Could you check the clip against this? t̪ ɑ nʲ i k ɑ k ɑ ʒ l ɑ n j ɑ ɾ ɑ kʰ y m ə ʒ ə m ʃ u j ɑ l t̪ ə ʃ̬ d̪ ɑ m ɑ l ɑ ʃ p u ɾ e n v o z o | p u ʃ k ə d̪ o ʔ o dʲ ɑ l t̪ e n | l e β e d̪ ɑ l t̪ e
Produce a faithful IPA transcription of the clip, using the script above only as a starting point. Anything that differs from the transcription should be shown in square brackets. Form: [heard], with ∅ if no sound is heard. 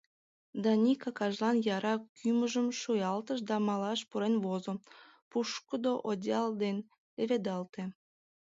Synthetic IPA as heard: [d̪] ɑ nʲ i k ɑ k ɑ ʒ l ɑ n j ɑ ɾ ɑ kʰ y m ə ʒ ə m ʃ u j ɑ l t̪ ə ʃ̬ d̪ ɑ m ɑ l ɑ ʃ p u ɾ e n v o z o | p u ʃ k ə d̪ o ʔ o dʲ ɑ l [d̪] e n | l e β e d̪ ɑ l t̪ e